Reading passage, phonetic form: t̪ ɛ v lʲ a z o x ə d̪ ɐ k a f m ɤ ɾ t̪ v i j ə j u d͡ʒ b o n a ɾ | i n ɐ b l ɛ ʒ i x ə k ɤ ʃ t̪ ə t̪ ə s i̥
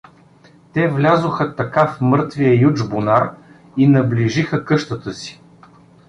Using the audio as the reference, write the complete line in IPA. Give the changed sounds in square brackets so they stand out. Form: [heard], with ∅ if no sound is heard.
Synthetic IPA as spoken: t̪ ɛ v lʲ a z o x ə [t̪] ɐ k a f m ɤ ɾ t̪ v i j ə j u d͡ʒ b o n a ɾ | i n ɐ b l [i] ʒ i x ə k ɤ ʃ t̪ ə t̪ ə s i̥